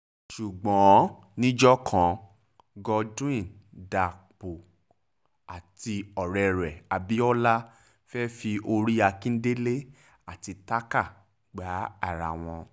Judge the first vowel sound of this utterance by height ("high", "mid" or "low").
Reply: high